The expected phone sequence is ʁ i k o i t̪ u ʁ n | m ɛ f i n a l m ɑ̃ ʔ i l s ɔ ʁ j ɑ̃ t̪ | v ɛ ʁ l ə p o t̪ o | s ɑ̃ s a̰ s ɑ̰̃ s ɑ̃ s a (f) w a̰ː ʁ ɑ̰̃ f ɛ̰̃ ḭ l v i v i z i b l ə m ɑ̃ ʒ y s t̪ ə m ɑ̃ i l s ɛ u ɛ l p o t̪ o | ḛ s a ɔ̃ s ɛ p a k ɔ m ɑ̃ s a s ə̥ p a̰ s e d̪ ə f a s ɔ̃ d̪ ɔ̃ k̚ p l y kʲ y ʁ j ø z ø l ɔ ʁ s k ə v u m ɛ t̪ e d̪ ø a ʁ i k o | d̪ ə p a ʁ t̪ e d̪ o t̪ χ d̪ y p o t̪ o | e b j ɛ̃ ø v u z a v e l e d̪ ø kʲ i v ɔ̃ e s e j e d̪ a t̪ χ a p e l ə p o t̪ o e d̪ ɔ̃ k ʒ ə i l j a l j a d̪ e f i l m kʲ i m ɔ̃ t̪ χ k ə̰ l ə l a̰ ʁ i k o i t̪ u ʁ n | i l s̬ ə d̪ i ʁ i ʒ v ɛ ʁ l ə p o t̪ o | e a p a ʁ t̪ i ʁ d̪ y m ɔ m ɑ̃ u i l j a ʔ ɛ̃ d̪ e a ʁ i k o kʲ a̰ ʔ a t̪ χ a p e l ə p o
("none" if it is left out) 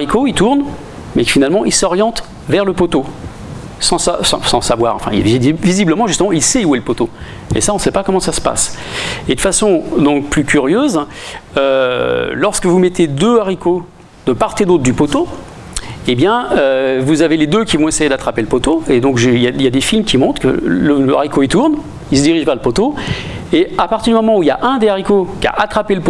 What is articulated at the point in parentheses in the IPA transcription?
v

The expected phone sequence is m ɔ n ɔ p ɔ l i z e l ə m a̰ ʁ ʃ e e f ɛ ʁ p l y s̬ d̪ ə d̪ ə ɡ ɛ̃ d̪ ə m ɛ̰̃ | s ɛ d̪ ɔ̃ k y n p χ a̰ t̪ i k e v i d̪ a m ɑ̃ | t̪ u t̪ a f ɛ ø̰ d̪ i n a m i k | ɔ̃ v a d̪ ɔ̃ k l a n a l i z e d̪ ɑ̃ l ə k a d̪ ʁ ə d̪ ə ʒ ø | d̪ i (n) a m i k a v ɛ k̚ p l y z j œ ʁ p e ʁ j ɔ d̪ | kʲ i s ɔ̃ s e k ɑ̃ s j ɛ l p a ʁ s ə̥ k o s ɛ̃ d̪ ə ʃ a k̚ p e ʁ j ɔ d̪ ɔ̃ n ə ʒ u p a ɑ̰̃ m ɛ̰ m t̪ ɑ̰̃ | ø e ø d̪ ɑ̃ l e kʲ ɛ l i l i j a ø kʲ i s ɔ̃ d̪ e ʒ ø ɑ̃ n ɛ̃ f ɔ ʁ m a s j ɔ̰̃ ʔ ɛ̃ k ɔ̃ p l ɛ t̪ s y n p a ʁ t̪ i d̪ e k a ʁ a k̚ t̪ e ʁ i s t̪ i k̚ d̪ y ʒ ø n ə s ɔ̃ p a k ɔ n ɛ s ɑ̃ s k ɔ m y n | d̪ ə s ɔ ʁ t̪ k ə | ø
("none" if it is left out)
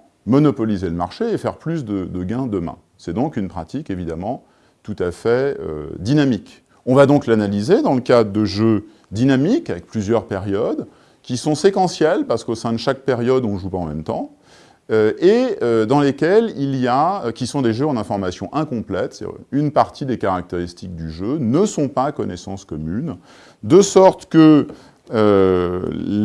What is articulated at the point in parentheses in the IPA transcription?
n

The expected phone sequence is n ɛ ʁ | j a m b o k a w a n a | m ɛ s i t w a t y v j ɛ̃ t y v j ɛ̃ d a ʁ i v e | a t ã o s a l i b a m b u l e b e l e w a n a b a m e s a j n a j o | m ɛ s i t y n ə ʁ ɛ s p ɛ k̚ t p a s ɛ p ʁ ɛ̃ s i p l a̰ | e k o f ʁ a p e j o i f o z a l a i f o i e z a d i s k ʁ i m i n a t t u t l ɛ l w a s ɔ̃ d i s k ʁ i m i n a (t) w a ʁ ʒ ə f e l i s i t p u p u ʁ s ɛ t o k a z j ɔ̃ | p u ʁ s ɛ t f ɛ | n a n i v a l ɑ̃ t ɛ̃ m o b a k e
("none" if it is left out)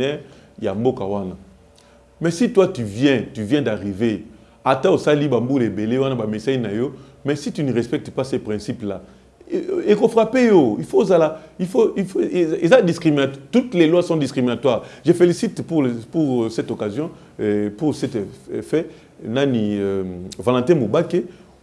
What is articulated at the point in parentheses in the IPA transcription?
t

